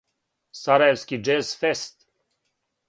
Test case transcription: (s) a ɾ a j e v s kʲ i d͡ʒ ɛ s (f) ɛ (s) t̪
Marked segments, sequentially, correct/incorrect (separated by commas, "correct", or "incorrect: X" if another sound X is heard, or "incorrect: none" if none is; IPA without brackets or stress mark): correct, correct, correct